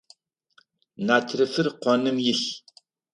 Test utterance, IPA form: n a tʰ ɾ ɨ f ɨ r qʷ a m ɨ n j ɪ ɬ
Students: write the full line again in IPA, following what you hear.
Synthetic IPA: n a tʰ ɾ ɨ f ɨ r qʷ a n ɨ m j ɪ ɬ